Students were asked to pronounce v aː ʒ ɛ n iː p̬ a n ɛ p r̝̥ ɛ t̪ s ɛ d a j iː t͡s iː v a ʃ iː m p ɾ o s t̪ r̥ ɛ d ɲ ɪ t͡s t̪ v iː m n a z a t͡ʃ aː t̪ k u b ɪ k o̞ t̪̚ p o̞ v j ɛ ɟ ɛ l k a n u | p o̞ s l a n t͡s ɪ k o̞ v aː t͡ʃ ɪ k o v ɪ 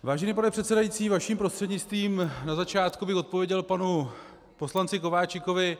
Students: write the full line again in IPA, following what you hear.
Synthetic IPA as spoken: v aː ʒ ɛ n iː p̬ a n ɛ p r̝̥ ɛ t̪ s ɛ d a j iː t͡s iː v a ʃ iː m p ɾ o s t̪ r̥ ɛ d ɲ ɪ t͡s t̪ v iː m n a z a t͡ʃ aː t̪ k u b ɪ x o̞ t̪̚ p o̞ v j ɛ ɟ ɛ l p a n u | p o̞ s l a n t͡s ɪ k o̞ v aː t͡ʃ ɪ k o v ɪ